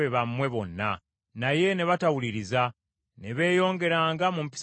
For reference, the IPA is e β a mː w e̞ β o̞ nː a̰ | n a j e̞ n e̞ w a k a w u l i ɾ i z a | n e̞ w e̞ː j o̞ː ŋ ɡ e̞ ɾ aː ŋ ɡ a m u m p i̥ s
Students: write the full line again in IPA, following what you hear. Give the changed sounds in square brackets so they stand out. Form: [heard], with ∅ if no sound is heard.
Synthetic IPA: e β a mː w e̞ β o̞ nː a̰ | n a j e̞ n e̞ [β] a [t] a w u l i ɾ i z a | n e̞ [β] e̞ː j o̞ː ŋ ɡ e̞ ɾ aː ŋ ɡ a m u m p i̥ s